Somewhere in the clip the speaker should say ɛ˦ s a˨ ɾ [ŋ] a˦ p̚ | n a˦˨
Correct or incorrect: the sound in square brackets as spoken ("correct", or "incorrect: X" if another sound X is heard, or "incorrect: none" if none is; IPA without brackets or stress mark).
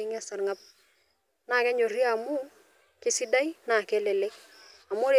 correct